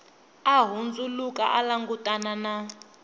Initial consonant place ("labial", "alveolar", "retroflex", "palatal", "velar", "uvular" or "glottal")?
glottal